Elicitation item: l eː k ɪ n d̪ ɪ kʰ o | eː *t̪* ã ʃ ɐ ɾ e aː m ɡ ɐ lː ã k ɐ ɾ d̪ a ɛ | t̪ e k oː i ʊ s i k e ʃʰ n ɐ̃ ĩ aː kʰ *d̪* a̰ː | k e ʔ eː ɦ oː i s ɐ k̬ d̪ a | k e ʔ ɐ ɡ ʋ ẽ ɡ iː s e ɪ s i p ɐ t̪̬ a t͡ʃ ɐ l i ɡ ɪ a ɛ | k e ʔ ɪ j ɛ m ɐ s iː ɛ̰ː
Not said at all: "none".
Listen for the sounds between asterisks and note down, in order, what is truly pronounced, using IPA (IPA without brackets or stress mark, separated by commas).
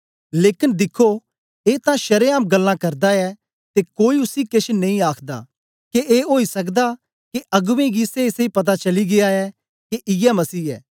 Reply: t̪, d̪